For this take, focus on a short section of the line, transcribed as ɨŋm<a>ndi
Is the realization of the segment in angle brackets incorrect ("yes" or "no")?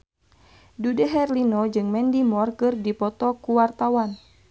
yes